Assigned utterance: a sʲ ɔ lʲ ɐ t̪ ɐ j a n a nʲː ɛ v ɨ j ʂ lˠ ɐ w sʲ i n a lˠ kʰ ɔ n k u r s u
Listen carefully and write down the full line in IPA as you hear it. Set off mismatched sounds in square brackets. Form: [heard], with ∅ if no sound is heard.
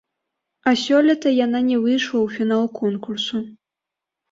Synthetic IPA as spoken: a sʲ ɔ lʲ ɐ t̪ ɐ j a n a [nʲ] ɛ v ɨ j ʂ lˠ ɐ w [fʲ] i n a lˠ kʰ ɔ n k u r s u

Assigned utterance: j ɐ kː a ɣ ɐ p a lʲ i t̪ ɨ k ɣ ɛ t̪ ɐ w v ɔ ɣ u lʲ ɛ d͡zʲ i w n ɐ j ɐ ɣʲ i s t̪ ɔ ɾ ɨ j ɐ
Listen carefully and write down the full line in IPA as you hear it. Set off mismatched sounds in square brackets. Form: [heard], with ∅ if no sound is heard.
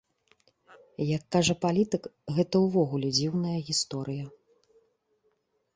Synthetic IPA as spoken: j ɐ kː a [ʐ] ɐ p a lʲ i t̪ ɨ k ɣ ɛ t̪ ɐ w v ɔ ɣ u lʲ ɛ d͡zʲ i w n ɐ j ɐ ɣʲ i s t̪ ɔ ɾ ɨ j ɐ

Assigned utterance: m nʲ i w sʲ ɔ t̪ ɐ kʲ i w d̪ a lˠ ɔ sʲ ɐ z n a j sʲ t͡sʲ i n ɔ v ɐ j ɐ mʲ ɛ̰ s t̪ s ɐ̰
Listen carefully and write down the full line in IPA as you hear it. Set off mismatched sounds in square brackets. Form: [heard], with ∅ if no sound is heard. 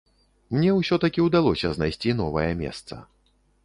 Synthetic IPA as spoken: m nʲ [ɛ] w sʲ ɔ t̪ ɐ kʲ i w d̪ a lˠ ɔ sʲ ɐ z n a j sʲ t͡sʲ i n ɔ v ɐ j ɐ mʲ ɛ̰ s t̪ s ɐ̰

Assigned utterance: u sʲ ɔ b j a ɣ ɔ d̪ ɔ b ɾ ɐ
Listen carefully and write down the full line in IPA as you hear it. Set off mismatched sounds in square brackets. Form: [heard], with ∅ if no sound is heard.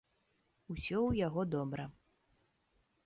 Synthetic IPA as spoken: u sʲ ɔ [w] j a ɣ ɔ d̪ ɔ b ɾ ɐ

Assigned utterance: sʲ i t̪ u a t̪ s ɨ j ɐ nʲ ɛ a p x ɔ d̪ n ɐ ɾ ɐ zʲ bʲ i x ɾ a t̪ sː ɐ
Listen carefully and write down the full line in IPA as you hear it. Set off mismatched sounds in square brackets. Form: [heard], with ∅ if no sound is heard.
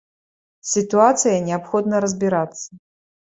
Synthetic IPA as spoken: sʲ i t̪ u a t̪ s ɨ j ɐ nʲ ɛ a p x ɔ d̪ n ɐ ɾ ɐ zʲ bʲ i [∅] ɾ a t̪ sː ɐ

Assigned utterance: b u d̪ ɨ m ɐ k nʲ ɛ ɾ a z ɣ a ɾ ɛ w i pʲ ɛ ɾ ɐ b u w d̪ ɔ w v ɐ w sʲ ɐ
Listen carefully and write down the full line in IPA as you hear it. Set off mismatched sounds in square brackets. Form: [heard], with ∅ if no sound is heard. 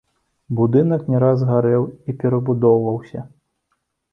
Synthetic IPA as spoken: b u d̪ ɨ [n] ɐ k nʲ ɛ ɾ a z ɣ a ɾ ɛ w i pʲ ɛ ɾ ɐ b u [∅] d̪ ɔ w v ɐ w sʲ ɐ

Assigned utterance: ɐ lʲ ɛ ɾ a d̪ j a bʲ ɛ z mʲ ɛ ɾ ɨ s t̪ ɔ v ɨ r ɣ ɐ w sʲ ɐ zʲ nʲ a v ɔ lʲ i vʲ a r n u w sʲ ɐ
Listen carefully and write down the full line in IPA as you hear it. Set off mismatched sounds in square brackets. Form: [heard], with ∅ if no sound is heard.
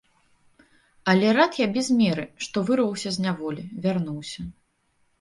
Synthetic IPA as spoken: ɐ lʲ ɛ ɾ a [t̪] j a bʲ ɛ z mʲ ɛ ɾ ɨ [ʂ] t̪ ɔ v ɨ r [v] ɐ w sʲ ɐ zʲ nʲ a v ɔ lʲ i vʲ a r n u w sʲ ɐ

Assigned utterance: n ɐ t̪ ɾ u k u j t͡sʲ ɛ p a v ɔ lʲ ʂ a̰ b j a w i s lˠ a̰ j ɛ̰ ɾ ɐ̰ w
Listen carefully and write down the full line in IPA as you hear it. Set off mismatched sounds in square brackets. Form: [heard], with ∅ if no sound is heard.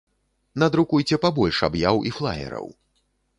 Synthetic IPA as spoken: n ɐ [d̪] ɾ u k u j t͡sʲ ɛ p a [b] ɔ lʲ ʂ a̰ b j a w i [f] lˠ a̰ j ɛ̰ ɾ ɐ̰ w

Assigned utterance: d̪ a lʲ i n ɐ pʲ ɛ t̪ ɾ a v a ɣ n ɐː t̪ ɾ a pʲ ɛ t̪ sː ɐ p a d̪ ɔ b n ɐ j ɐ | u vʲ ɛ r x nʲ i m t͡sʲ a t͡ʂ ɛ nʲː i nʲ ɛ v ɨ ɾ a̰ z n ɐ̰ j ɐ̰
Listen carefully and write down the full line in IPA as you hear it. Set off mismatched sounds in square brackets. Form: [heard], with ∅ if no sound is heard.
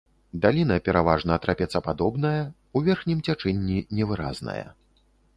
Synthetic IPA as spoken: d̪ a lʲ i n ɐ pʲ ɛ [∅] ɾ a v a [ʐ] n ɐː t̪ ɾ a pʲ ɛ t̪ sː ɐ p a d̪ ɔ b n ɐ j ɐ | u vʲ ɛ r x nʲ i m t͡sʲ a t͡ʂ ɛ nʲː i nʲ ɛ v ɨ ɾ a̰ z n ɐ̰ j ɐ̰

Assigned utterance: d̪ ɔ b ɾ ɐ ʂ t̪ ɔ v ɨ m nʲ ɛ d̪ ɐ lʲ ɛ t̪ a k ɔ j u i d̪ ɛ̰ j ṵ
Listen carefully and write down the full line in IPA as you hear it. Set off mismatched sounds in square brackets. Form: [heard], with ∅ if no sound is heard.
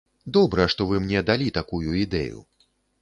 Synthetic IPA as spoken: d̪ ɔ b ɾ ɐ ʂ t̪ ɔ v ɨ m nʲ ɛ d̪ [a] lʲ [i] t̪ a k [u] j u i d̪ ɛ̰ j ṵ

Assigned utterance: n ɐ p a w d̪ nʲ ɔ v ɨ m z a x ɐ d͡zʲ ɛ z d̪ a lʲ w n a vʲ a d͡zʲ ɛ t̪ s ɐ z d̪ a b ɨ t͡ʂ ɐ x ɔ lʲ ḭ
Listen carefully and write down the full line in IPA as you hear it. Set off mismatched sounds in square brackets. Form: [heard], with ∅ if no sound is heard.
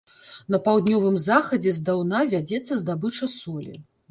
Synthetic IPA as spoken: n ɐ p a w d̪ nʲ ɔ v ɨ m z a x ɐ d͡zʲ ɛ z d̪ a [∅] w n a vʲ a d͡zʲ ɛ t̪ [sː] ɐ z d̪ a b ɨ t͡ʂ ɐ [s] ɔ lʲ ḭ

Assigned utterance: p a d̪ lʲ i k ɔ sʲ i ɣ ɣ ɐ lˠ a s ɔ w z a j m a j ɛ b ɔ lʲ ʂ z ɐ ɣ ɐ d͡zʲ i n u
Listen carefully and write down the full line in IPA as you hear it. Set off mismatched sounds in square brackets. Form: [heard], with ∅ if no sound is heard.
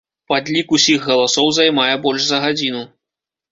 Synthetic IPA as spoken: p a d̪ lʲ i k [u] sʲ i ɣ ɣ ɐ lˠ a s ɔ w z a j m a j ɛ b ɔ lʲ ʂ z ɐ ɣ [a] d͡zʲ i n u

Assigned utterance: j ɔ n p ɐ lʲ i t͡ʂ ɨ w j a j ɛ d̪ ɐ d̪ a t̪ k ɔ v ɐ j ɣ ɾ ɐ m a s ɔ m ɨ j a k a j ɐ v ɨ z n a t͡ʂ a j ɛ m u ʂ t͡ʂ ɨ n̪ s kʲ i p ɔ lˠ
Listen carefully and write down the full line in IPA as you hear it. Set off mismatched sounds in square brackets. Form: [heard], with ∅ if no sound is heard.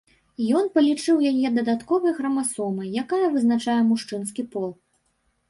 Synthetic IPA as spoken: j ɔ n p ɐ lʲ i t͡ʂ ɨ w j a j ɛ d̪ ɐ d̪ a t̪ k ɔ v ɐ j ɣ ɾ ɐ m a s ɔ m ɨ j a k a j ɐ v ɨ z n a t͡ʂ a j ɛ m u ʂ t͡ʂ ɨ n̪ s kʲ i p ɔ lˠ

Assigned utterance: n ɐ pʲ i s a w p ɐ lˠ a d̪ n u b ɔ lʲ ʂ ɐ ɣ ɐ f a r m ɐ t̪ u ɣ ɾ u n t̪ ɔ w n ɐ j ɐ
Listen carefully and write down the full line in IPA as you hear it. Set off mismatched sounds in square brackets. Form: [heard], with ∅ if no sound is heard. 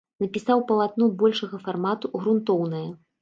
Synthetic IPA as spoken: n ɐ pʲ i s a w p ɐ lˠ a [t̪] n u b ɔ lʲ ʂ ɐ ɣ ɐ f a r m [a] t̪ u ɣ ɾ u n t̪ ɔ w n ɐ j ɐ

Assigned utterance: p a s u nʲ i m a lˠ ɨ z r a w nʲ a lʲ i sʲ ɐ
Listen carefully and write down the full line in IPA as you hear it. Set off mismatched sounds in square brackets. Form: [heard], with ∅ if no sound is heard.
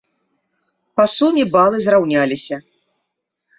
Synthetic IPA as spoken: p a s u [mʲ] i [b] a lˠ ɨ z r a w nʲ a lʲ i sʲ ɐ

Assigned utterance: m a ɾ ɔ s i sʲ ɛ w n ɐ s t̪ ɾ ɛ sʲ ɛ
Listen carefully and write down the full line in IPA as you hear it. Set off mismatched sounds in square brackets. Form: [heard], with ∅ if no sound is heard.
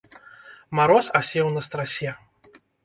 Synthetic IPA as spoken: m a ɾ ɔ s [a] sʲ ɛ w n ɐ s t̪ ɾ [a] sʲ ɛ

